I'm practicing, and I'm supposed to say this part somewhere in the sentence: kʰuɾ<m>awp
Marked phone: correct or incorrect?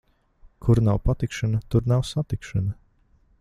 incorrect